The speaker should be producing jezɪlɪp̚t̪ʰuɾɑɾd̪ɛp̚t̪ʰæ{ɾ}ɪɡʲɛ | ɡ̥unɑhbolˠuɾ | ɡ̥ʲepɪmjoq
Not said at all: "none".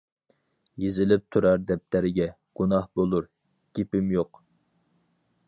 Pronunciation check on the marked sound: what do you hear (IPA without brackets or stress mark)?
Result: ɾ